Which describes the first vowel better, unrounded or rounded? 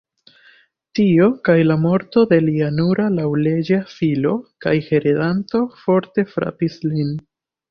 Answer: unrounded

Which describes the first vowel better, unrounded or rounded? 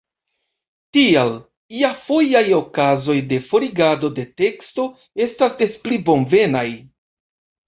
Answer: unrounded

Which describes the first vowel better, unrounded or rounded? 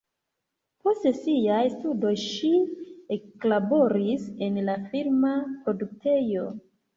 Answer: rounded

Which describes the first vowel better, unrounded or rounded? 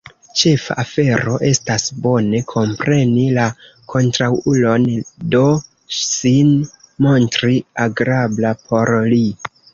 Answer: unrounded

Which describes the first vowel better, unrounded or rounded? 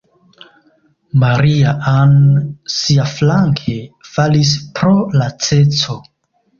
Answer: unrounded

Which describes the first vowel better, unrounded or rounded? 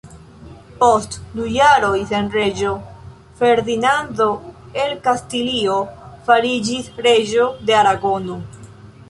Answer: rounded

